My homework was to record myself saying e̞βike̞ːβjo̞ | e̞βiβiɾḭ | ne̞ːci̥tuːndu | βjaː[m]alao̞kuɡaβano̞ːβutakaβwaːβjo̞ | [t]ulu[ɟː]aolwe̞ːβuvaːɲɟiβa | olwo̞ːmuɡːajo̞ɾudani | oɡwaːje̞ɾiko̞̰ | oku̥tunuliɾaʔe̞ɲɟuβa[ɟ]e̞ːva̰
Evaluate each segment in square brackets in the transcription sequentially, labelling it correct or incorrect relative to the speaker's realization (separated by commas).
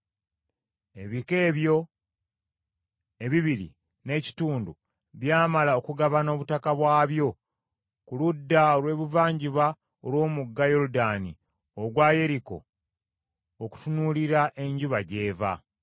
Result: correct, incorrect, incorrect, correct